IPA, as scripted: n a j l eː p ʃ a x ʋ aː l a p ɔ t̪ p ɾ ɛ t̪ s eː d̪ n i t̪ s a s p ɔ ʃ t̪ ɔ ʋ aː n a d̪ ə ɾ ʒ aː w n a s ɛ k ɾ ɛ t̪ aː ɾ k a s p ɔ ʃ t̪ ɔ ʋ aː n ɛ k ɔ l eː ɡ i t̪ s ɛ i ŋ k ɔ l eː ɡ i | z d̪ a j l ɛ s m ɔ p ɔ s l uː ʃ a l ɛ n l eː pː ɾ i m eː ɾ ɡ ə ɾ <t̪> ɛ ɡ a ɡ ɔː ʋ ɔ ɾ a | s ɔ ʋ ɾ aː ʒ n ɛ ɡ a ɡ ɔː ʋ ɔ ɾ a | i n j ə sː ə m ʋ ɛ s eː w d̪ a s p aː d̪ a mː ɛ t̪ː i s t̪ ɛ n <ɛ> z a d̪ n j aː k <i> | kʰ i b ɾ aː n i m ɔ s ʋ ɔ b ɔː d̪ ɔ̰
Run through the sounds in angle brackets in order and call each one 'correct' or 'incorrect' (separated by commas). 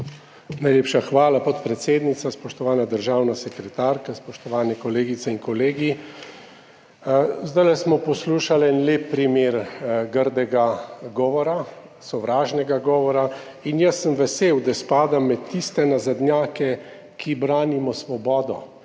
incorrect, incorrect, incorrect